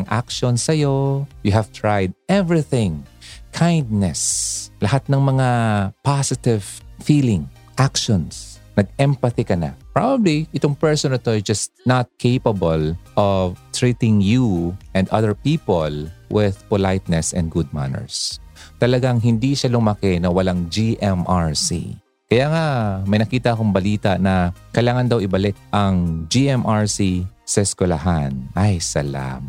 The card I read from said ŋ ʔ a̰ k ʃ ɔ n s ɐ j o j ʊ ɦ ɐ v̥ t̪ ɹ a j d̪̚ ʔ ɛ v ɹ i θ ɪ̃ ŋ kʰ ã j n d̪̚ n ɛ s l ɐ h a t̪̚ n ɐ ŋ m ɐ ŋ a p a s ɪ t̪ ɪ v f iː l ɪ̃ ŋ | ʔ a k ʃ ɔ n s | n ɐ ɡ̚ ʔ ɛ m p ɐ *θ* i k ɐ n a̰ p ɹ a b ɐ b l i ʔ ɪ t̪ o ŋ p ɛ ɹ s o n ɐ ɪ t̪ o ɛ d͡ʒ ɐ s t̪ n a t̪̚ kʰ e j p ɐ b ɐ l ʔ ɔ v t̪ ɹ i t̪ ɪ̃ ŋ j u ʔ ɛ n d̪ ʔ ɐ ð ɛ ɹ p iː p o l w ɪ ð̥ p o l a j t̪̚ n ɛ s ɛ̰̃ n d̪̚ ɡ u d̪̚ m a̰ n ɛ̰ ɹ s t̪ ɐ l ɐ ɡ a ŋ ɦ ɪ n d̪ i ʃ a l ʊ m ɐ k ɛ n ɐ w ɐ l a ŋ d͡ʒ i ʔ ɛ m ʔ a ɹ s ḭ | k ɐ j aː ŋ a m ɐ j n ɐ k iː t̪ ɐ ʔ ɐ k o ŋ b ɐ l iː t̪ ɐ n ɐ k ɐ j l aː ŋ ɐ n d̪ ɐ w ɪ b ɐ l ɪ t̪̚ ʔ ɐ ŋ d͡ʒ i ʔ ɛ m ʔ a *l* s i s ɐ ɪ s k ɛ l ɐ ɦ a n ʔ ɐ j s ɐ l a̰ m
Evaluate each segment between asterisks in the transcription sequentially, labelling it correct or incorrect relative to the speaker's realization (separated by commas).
correct, incorrect